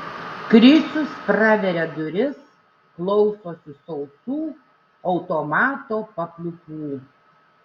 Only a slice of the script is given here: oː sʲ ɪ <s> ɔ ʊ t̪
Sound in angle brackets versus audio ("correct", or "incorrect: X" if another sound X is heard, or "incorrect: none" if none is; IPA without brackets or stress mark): correct